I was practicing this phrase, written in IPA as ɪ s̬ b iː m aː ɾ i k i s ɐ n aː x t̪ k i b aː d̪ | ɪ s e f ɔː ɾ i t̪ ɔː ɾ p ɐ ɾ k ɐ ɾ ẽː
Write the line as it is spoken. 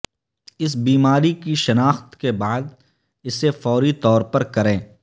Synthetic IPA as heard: ɪ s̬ b iː m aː ɾ i k i ʃ ɐ n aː x t̪ k e b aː d̪ | ɪ s e f ɔː ɾ i t̪ ɔː ɾ p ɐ ɾ k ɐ ɾ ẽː